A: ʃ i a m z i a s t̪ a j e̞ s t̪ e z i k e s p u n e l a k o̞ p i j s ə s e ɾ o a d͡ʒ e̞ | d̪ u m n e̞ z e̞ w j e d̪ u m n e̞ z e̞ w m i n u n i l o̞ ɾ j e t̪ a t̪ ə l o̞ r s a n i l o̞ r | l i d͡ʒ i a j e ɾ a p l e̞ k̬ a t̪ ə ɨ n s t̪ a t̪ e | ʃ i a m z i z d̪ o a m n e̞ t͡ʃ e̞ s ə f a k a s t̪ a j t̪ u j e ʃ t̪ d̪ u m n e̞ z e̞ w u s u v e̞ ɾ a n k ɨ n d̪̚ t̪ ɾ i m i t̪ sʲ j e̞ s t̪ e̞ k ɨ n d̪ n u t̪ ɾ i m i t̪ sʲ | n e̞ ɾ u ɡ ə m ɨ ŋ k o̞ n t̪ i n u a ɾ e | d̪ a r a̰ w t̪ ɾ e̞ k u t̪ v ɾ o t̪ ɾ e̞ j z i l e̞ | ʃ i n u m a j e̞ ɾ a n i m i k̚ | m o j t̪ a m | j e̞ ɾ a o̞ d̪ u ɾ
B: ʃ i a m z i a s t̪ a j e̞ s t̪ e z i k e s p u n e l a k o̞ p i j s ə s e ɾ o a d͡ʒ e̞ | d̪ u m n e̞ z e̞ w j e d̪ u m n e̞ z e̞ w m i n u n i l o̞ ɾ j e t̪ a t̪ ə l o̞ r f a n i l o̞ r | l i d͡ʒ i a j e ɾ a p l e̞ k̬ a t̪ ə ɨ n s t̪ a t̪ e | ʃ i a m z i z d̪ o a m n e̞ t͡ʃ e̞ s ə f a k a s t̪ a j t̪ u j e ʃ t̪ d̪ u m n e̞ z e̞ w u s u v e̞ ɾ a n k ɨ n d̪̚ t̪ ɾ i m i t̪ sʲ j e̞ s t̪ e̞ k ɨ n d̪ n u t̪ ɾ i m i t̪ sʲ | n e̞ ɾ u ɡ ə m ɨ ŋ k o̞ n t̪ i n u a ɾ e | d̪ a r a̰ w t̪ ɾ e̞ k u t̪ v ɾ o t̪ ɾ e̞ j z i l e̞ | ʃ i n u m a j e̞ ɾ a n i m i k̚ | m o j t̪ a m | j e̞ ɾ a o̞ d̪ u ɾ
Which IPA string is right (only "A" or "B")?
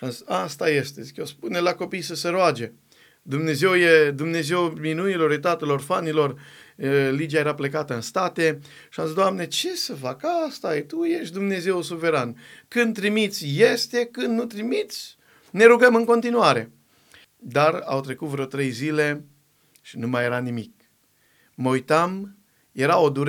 B